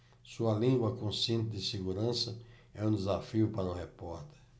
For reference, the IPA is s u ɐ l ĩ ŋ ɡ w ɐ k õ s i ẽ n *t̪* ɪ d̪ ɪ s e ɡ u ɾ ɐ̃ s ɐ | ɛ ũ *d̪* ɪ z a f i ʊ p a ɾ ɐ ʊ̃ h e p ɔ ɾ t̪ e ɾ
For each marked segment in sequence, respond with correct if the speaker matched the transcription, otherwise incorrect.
correct, correct

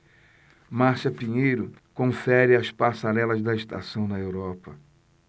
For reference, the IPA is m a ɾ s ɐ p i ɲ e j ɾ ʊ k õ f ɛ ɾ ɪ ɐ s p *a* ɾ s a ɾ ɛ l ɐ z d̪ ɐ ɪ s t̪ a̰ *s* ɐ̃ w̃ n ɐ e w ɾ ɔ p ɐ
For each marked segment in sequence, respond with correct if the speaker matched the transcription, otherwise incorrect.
correct, correct

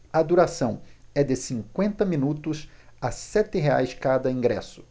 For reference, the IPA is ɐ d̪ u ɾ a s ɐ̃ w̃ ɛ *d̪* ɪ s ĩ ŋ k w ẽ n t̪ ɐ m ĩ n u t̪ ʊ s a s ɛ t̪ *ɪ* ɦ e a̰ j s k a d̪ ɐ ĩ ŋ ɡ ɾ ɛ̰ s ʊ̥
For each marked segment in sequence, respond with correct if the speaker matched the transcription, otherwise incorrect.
correct, correct

